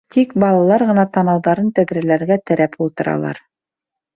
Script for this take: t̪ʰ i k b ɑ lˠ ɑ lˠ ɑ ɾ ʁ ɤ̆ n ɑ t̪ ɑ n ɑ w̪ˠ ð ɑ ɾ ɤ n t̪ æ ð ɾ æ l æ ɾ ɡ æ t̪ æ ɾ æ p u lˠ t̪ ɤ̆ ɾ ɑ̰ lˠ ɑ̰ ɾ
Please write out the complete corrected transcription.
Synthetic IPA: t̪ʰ i k b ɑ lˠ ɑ lˠ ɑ ɾ ʁ ɤ̆ n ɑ t̪ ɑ n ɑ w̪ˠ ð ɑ ɾ ɤ n t̪ æ ð ɾ æ l æ ɾ ɡ æ t̪ æ ɾ æ p u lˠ t̪ ɤ̆ ɾ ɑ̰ lˠ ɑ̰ ɾ